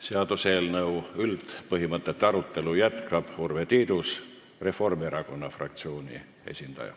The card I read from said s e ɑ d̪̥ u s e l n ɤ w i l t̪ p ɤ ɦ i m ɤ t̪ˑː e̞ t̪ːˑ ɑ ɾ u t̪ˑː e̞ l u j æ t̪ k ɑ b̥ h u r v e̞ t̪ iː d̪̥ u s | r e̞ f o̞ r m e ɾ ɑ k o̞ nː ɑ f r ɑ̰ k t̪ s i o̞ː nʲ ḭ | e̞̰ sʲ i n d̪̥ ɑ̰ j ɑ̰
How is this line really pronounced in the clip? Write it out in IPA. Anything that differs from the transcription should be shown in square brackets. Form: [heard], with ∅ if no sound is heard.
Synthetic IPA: s e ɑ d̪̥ u s e l n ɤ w [y] l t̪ p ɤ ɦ i m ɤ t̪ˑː e̞ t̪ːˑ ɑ ɾ u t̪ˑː e̞ l u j æ t̪ k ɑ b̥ h u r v e̞ t̪ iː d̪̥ u s | r e̞ f o̞ r m e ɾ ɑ k o̞ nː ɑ f r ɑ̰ k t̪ s i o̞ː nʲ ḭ | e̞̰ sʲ i n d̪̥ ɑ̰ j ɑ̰